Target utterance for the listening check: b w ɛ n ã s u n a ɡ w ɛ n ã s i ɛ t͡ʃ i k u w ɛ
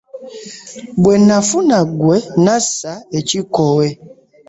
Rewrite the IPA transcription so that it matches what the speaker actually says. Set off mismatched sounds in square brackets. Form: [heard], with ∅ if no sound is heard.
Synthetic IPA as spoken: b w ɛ n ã [f] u n a ɡ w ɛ n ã s [a] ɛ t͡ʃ i k [ɔ] w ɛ